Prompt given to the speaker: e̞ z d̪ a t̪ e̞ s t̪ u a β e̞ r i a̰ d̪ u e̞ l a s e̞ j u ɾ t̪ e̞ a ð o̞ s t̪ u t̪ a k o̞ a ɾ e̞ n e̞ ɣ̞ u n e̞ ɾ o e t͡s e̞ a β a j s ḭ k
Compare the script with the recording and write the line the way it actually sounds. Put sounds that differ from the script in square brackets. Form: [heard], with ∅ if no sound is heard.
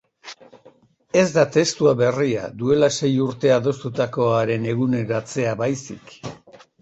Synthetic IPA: e̞ z d̪ a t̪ e̞ s t̪ u a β e̞ r i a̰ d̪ u e̞ l a s e̞ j u ɾ t̪ e̞ a ð o̞ s t̪ u t̪ a k o̞ a ɾ e̞ n e̞ ɣ̞ u n e̞ ɾ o [a] t͡s e̞ a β a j s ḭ k